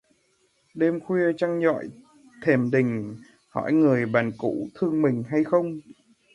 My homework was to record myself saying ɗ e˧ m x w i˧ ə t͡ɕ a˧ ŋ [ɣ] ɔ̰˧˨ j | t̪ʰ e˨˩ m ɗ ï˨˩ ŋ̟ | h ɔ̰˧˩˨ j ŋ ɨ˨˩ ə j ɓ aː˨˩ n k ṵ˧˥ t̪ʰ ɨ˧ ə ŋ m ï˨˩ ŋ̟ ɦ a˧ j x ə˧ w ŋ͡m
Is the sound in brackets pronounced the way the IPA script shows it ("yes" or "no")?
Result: no